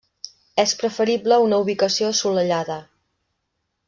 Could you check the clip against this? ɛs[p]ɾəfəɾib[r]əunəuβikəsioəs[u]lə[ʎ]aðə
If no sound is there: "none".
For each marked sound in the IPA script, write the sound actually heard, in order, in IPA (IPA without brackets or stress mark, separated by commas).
p, l, u, ʎ